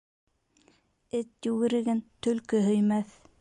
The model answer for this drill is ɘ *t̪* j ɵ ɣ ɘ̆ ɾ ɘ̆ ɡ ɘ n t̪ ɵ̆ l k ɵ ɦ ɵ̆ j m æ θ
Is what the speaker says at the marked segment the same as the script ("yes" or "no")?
yes